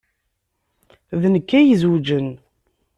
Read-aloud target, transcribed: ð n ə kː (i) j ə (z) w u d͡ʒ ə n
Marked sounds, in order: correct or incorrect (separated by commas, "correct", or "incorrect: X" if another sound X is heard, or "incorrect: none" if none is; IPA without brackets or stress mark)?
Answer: incorrect: æ, correct